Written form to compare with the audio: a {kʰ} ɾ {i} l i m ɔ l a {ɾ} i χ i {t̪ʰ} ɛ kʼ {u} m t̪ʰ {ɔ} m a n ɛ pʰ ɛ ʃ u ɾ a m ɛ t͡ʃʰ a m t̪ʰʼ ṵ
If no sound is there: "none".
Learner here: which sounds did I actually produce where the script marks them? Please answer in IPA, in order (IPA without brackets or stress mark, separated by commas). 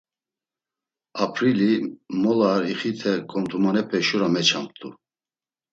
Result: pʰ, i, ɾ, t̪ʰ, ɔ, u